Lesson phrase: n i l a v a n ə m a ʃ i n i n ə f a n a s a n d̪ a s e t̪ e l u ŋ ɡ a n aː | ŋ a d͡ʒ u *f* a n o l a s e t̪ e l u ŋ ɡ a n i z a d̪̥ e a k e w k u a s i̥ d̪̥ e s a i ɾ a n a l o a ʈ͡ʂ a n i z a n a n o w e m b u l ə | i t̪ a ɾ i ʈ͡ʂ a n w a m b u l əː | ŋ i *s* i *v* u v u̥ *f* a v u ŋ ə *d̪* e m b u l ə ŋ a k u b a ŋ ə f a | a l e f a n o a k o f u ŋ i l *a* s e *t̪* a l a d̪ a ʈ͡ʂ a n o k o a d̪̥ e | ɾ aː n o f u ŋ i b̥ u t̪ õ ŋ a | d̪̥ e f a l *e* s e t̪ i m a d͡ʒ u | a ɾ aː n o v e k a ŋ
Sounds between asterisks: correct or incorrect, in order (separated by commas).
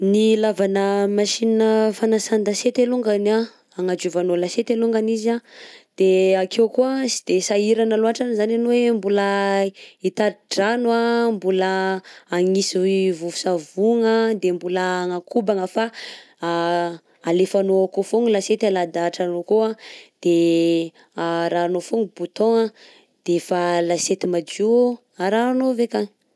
incorrect, correct, correct, incorrect, correct, correct, correct, incorrect